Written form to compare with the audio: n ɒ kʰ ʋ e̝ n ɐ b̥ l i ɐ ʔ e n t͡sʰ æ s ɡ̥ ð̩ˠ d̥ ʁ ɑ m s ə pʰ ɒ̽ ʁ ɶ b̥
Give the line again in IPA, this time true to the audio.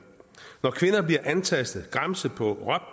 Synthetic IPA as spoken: n ɒ kʰ ʋ e̝ n ɐ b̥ l i ɐ ʔ æ n t͡sʰ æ s d̥ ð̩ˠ ɡ̥ ʁ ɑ m s ə pʰ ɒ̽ ʁ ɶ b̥